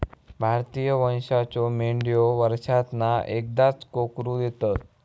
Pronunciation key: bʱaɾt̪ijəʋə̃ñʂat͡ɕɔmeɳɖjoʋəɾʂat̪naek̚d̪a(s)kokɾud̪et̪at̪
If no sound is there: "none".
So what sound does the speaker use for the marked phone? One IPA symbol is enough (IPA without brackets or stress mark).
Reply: t͡s